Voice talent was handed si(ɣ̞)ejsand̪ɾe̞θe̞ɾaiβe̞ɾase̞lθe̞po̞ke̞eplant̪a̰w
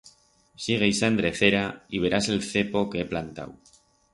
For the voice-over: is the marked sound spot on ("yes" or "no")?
yes